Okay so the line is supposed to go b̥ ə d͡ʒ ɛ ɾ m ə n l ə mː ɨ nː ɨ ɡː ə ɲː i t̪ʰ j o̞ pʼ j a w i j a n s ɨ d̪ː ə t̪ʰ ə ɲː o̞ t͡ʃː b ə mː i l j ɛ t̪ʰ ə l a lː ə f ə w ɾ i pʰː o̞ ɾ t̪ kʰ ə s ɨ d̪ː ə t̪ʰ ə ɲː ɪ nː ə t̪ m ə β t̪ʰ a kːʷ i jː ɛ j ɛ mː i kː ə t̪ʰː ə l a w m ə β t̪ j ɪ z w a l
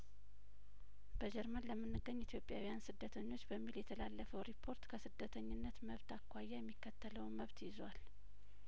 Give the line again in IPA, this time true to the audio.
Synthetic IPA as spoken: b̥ ə d͡ʒ ɛ ɾ m ə n l ə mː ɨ nː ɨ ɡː ə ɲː i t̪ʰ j o̞ pʼ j a w i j a n s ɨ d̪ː ə t̪ʰ ə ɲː o̞ t͡ʃː b ə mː i l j ɛ t̪ʰ ə l a lː ə f ə w ɾ i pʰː o̞ ɾ t̪ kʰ ə s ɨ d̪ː ə t̪ʰ ə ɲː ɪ nː ə t̪ m ə β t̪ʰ a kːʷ a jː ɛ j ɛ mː i kː ə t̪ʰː ə l ə w m ə β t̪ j ɪ z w a l